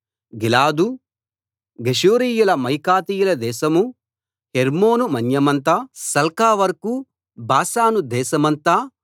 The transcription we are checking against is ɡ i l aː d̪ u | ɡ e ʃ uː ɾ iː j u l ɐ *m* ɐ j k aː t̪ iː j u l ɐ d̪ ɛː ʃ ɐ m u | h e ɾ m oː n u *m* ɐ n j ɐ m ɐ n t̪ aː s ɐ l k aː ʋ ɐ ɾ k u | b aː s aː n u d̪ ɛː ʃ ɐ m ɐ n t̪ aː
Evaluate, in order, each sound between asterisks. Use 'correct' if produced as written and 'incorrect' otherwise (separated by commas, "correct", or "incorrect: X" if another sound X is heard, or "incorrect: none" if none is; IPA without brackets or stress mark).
correct, correct